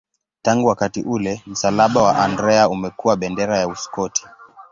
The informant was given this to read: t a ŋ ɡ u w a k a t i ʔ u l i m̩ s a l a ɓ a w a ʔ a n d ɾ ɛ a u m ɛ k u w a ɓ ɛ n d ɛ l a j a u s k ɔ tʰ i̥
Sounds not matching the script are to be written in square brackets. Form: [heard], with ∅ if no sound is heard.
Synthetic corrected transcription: t a ŋ ɡ u w a k a t i ʔ u l [ɛ] m̩ s a l a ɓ a w a ʔ a n d ɾ ɛ a u m ɛ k u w a ɓ ɛ n d ɛ [ɾ] a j a u s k ɔ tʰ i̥